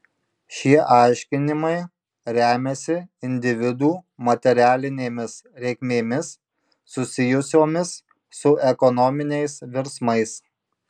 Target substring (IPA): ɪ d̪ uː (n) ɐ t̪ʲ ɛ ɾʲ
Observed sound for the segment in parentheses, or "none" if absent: m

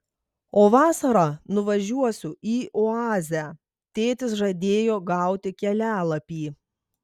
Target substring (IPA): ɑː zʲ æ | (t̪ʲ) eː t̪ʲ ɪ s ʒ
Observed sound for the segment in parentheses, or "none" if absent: t̪ʲ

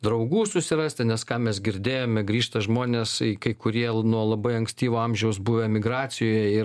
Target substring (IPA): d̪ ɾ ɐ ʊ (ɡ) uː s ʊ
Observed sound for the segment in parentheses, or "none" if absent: ɡ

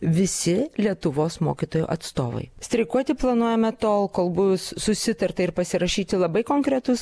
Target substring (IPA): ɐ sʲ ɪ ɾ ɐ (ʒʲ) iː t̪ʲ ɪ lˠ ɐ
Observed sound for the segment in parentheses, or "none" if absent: ʃʲ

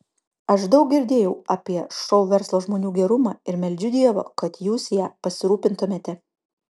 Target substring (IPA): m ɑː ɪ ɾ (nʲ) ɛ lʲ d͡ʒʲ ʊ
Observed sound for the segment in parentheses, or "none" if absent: mʲ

